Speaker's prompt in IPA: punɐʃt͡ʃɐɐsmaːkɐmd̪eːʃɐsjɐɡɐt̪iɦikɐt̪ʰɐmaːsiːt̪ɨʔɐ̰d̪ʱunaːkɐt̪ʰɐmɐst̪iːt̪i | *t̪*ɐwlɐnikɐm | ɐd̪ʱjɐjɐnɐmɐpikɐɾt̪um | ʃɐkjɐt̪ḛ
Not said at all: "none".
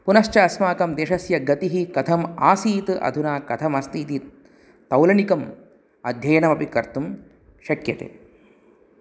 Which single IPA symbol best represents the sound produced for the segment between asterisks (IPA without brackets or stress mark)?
t̪